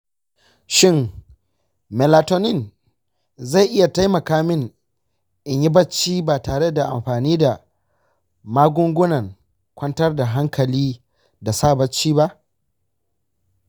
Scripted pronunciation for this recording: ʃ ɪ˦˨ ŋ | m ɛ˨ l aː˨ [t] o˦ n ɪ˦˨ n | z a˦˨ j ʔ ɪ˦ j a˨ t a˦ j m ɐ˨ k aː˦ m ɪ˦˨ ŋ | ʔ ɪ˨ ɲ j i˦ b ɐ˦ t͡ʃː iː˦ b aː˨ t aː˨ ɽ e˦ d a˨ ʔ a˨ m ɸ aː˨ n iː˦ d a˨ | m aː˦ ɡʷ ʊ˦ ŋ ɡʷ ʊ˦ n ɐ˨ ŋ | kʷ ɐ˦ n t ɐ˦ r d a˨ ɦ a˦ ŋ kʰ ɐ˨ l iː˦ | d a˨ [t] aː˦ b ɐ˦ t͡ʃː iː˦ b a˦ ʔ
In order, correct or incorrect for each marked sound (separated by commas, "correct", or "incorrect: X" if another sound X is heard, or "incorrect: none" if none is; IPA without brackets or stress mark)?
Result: correct, incorrect: s